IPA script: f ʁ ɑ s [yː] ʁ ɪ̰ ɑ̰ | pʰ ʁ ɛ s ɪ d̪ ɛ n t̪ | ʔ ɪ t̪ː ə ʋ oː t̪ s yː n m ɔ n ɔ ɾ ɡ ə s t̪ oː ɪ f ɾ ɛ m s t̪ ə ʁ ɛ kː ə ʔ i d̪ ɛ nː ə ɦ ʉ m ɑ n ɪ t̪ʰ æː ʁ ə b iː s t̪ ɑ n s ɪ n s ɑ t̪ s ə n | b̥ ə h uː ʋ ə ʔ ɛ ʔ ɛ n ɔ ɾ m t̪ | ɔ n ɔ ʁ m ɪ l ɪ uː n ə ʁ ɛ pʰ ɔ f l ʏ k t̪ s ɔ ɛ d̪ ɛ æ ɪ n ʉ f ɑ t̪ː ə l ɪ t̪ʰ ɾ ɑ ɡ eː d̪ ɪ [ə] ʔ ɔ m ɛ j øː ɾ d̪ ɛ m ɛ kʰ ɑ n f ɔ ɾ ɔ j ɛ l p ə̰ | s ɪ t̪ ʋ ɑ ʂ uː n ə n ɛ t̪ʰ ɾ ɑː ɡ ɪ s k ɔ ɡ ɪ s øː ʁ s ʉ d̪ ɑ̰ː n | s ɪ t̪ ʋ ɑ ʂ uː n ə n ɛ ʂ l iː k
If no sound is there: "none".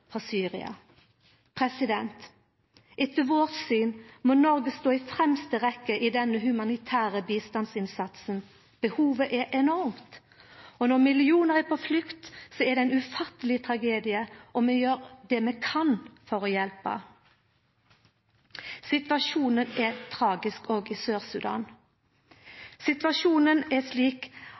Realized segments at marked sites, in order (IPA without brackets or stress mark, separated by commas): yː, ə